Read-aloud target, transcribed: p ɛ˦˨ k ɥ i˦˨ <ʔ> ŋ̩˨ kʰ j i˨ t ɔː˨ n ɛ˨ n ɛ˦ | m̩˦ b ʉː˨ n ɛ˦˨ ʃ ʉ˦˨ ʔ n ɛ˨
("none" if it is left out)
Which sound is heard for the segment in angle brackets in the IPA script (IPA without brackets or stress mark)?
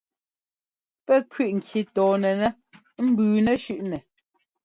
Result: ʔ